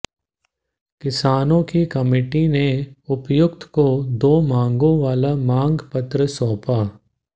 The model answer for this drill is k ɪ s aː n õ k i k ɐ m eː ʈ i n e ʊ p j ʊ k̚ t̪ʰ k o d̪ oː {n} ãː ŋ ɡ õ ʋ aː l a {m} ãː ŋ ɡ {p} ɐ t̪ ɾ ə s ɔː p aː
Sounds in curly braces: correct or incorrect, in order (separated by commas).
incorrect, correct, correct